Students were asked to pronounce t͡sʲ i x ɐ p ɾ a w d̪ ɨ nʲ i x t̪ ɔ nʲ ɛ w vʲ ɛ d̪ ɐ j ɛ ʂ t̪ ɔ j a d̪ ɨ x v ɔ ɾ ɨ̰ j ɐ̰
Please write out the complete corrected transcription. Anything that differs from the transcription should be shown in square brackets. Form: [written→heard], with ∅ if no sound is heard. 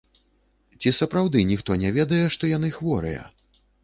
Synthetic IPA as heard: t͡sʲ i [x→s] ɐ p ɾ a w d̪ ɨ nʲ i x t̪ ɔ nʲ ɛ [w→∅] vʲ ɛ d̪ ɐ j ɛ ʂ t̪ ɔ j a [d̪→n̪] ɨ x v ɔ ɾ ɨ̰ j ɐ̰